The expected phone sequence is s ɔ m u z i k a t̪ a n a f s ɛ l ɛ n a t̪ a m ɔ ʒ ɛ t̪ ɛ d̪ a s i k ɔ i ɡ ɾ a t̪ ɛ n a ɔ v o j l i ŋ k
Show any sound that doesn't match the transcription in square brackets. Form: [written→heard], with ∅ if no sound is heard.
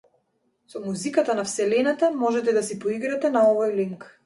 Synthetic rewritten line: s ɔ m u z i k a t̪ a n a f s ɛ l ɛ n a t̪ a m ɔ ʒ ɛ t̪ ɛ d̪ a s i [k→p] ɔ i ɡ ɾ a t̪ ɛ n a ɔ v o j l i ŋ k